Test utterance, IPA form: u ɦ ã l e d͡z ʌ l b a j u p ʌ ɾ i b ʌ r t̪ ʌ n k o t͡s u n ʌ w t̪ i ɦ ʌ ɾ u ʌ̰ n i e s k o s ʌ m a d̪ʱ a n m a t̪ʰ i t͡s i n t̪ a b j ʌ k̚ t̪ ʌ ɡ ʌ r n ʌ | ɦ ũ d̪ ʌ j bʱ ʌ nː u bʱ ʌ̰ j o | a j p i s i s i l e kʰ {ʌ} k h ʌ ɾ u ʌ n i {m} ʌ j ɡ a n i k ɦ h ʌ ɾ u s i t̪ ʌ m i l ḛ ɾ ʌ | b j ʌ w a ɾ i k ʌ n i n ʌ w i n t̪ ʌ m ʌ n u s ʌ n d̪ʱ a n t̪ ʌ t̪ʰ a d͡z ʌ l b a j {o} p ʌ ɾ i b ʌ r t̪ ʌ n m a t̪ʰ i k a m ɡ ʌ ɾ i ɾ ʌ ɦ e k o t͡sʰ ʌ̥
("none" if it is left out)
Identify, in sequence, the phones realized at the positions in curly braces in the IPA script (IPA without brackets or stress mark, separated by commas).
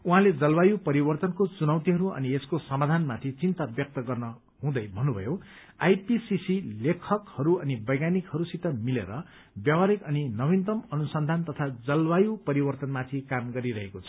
ʌ, b, u